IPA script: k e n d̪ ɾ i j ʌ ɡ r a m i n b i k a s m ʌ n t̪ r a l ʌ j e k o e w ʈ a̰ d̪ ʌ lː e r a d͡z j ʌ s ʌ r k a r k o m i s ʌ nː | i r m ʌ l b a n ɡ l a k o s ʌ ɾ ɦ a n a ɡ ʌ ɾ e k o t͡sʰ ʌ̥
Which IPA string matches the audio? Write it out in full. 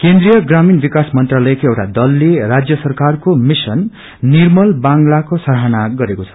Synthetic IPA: k e n d̪ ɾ i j ʌ ɡ r a m i n b i k a s m ʌ n t̪ r a l ʌ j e k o e w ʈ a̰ d̪ ʌ lː e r a d͡z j ʌ s ʌ r k a r k o m i s ʌ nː | i r m ʌ l b a ŋ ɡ l a k o s ʌ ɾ ɦ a n a ɡ ʌ ɾ e k o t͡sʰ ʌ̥